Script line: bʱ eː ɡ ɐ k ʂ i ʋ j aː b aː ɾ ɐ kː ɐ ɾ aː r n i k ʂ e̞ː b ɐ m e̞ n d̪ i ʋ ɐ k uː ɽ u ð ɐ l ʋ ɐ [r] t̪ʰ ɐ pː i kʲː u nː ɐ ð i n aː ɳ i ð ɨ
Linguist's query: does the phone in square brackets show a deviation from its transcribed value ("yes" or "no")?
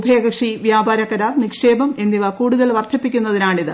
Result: no